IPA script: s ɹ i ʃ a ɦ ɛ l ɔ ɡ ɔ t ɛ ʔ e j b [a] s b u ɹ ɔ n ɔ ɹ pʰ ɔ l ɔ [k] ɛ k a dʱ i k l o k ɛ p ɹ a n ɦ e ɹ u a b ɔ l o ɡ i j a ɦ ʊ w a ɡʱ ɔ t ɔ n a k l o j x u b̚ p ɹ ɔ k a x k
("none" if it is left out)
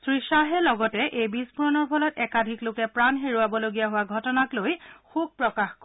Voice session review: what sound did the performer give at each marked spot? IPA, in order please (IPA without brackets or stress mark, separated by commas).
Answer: i, t